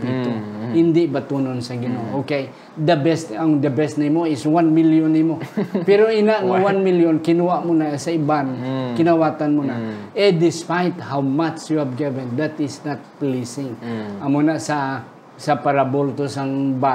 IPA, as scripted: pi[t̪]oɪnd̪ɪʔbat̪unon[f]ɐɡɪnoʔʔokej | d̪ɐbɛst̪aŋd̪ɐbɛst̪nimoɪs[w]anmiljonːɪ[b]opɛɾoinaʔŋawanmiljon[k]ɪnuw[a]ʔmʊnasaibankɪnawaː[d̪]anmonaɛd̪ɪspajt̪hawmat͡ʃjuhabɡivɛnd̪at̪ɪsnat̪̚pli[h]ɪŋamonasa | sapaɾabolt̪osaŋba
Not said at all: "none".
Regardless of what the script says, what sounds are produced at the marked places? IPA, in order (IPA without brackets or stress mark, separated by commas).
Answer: t̪, s, w, m, k, a, t̪, s